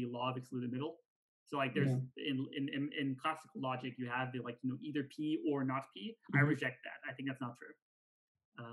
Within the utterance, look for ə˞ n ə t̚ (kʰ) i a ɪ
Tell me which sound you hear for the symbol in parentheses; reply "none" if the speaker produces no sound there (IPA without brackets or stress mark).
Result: pʰ